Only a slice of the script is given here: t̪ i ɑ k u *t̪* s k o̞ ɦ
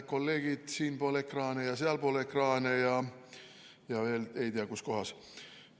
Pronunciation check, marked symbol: incorrect: none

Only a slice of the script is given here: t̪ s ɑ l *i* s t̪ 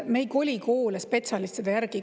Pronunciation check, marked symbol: correct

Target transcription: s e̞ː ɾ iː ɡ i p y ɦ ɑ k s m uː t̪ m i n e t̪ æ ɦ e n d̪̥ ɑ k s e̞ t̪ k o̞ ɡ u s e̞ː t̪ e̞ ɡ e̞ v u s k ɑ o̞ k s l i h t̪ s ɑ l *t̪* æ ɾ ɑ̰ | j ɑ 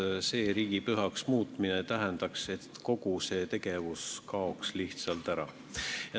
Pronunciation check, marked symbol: correct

